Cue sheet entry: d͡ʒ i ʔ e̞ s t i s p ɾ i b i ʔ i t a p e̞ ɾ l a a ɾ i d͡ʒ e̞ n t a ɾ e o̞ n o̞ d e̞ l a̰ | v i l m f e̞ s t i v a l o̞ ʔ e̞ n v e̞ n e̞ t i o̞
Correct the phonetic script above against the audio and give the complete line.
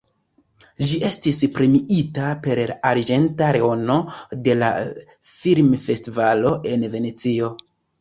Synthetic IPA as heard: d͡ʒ i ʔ e̞ s t i s p ɾ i m i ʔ i t a p e̞ ɾ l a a ɾ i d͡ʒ e̞ n t a ɾ e o̞ n o̞ d e̞ l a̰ | f i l m f e̞ s t i v a l o̞ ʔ e̞ n v e̞ n e̞ t͡s i o̞